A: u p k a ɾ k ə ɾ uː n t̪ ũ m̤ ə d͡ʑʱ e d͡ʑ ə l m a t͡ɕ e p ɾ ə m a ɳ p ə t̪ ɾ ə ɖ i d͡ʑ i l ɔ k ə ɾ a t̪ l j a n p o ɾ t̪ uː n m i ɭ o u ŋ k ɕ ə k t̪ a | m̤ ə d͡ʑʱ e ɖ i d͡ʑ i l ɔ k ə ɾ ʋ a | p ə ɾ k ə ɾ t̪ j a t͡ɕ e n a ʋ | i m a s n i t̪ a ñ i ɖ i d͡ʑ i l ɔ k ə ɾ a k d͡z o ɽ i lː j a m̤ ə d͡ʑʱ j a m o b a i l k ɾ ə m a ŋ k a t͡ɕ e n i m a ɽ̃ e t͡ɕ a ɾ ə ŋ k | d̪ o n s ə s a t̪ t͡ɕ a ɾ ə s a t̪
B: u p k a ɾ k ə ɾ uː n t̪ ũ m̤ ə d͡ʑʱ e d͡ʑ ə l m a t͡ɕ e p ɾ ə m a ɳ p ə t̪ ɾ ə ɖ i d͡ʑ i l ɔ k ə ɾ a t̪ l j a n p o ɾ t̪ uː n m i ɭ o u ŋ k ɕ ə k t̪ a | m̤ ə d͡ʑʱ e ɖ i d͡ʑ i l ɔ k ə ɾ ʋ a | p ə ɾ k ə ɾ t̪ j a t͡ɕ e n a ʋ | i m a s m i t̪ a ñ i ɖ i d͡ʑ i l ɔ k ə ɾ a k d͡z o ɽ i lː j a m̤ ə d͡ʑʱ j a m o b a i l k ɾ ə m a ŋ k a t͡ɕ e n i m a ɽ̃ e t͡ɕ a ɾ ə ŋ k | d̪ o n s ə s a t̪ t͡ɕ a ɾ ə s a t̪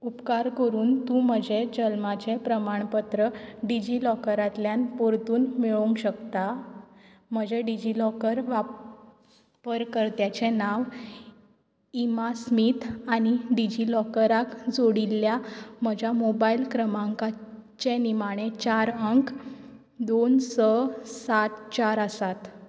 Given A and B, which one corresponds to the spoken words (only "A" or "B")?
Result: B